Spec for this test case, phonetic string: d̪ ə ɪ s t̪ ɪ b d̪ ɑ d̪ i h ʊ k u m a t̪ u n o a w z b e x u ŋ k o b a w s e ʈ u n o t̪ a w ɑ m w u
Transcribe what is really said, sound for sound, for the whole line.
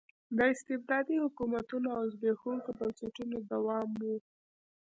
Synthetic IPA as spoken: d̪ ə ɪ s t̪ ɪ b d̪ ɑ d̪ i h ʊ k u m a t̪ u n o a w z b e x u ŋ k o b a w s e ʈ u n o d̪ a w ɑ m w u